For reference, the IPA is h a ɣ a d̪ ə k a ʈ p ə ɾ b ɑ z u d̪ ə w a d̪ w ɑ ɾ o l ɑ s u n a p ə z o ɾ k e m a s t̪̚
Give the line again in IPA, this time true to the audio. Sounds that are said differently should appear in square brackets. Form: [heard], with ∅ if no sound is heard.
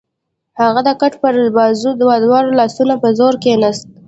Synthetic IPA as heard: h a ɣ a d̪ ə k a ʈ p ə ɾ b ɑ z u d̪ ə w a d̪ w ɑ ɾ o l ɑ s u n a p ə z o ɾ k e [n] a s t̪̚